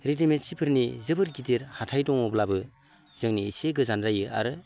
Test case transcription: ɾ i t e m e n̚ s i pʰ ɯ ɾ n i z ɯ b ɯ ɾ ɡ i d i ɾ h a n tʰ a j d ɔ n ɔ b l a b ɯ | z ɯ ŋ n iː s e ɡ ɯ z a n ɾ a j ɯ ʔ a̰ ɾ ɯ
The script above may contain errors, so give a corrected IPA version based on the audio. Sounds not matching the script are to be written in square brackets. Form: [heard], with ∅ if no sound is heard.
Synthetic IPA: ɾ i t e m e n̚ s i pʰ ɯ ɾ n i z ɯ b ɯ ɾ ɡ i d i ɾ h a [∅] tʰ a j d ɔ [ŋ] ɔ b l a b ɯ | z ɯ ŋ n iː s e ɡ ɯ z a n ɾ a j ɯ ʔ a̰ ɾ ɯ